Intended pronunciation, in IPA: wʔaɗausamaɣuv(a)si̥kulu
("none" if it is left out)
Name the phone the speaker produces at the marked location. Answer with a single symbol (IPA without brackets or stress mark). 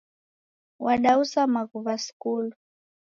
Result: a